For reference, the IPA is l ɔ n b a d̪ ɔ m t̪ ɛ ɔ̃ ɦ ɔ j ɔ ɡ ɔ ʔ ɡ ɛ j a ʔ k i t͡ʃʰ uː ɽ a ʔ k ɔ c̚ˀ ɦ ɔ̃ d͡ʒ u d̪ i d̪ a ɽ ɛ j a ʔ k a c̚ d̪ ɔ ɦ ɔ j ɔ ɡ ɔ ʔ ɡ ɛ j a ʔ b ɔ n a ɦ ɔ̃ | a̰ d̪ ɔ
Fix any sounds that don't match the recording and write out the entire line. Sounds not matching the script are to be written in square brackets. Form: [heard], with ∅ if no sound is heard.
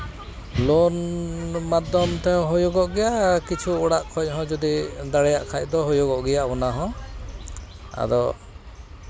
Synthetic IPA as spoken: l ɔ n [m] a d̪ ɔ m t̪ ɛ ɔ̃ ɦ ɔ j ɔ ɡ ɔ ʔ ɡ ɛ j a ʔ k i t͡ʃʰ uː ɽ a ʔ [kʰ] ɔ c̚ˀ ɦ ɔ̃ d͡ʒ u d̪ i d̪ a ɽ ɛ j a ʔ [kʰ] a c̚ d̪ ɔ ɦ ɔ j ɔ ɡ ɔ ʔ ɡ ɛ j a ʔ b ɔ n a ɦ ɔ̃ | a̰ d̪ ɔ